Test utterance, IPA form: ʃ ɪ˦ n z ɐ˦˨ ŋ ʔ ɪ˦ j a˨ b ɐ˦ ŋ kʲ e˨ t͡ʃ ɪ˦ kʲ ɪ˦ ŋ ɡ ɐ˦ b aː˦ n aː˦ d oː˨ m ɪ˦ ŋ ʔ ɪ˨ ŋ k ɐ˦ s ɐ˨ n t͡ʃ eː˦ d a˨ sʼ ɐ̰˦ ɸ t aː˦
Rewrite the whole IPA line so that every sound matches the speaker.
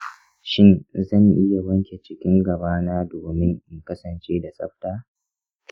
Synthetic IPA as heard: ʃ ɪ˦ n z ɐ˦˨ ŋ ʔ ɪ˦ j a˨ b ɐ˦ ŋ kʲ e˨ t͡ʃ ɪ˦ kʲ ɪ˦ ŋ ɡ ɐ˨ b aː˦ n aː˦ d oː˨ m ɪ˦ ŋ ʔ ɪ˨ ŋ k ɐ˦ s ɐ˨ n t͡ʃ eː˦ d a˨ sʼ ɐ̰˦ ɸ t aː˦